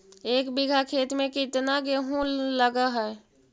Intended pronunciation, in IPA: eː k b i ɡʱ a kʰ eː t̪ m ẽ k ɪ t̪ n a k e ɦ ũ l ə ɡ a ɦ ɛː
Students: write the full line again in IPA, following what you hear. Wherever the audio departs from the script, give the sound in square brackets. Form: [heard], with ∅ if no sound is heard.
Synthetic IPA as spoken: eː k b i ɡʱ a kʰ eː t̪ m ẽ k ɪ t̪ n a [ɡ] e ɦ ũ l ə ɡ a ɦ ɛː